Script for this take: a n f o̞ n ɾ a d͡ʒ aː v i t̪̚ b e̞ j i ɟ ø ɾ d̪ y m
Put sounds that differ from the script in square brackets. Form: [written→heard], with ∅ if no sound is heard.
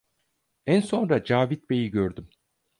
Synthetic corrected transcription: [a→æ] n [f→s] o̞ n ɾ a d͡ʒ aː v i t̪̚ b e̞ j i ɟ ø ɾ d̪ y m